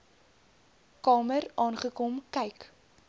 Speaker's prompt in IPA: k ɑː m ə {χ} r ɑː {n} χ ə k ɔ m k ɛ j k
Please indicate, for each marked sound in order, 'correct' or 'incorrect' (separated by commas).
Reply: incorrect, correct